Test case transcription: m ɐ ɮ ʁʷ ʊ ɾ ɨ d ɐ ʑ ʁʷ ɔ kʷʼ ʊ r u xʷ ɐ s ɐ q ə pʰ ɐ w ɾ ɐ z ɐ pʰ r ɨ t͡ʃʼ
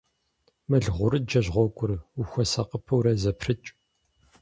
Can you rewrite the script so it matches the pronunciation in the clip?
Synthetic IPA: m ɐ ɮ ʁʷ ʊ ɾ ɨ d͡ʒ ɐ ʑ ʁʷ ɔ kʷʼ ʊ r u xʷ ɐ s ɐ q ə pʰ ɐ w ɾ ɐ z ɐ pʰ r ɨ t͡ʃʼ